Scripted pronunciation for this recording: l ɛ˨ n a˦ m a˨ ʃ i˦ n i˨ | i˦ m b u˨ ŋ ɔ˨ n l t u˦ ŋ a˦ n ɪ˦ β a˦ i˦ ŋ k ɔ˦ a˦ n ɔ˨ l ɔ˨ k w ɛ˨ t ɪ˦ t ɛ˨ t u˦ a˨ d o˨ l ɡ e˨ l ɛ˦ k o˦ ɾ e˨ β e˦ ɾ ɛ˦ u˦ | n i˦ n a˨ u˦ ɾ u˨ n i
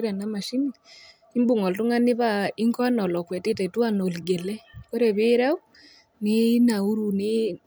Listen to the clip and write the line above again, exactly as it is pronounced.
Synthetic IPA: ɾ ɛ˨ n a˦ m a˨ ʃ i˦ n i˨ | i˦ m b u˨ ŋ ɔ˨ l t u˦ ŋ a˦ n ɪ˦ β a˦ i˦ ŋ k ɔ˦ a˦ n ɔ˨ l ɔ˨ k w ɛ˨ t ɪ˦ t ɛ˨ t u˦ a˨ n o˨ l ɡ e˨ l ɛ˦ k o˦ ɾ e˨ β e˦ ɾ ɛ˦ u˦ | n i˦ n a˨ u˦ ɾ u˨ n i